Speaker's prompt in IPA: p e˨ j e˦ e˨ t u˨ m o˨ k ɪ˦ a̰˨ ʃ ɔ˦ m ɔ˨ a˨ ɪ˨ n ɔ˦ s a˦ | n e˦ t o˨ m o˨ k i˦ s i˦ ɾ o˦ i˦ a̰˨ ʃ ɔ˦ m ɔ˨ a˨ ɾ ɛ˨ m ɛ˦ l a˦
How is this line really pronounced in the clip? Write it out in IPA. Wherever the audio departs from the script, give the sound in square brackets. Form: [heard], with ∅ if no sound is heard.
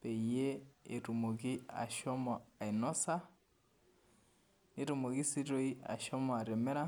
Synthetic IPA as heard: p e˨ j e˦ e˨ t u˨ m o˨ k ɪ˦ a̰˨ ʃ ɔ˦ m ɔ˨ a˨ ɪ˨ n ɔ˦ s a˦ | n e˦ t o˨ m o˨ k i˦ s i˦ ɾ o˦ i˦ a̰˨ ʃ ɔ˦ m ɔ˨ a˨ ɾ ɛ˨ m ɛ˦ [ɾ] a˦